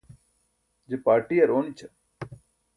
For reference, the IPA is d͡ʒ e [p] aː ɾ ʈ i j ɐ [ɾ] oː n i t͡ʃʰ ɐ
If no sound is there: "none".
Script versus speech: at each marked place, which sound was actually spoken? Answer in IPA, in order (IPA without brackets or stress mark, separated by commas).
p, ɾ